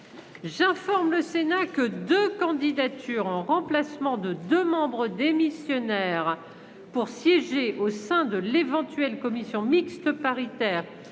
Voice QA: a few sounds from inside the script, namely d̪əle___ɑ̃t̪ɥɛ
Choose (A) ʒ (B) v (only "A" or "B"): B